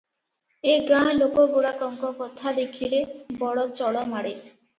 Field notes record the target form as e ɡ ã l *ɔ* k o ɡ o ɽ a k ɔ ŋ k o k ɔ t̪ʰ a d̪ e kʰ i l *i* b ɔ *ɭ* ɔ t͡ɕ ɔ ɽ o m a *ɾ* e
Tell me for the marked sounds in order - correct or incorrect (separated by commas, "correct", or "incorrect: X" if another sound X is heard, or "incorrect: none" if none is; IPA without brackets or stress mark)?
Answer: incorrect: o, incorrect: e, incorrect: ɽ, incorrect: ɽ